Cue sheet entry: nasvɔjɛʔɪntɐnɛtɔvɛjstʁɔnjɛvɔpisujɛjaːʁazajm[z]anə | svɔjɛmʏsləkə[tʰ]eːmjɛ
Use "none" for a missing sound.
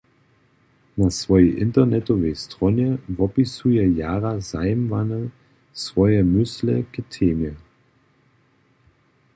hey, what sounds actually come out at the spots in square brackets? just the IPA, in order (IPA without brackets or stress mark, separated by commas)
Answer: v, tʰ